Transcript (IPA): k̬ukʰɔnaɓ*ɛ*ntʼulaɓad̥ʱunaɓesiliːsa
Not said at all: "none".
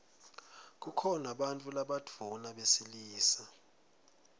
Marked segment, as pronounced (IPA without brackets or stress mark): a